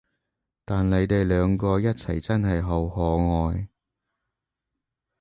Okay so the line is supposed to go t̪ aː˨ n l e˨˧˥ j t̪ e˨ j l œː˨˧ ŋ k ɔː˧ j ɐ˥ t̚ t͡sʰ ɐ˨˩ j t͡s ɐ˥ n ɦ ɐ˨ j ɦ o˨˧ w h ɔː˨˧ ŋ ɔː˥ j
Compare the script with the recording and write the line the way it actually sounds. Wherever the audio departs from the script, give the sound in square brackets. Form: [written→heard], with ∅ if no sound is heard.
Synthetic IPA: t̪ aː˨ n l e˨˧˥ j t̪ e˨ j l œː˨˧ ŋ k ɔː˧ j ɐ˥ t̚ t͡sʰ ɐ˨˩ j t͡s ɐ˥ n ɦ ɐ˨ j ɦ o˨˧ w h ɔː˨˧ ŋ [ɔː˥→ɔː˨˧] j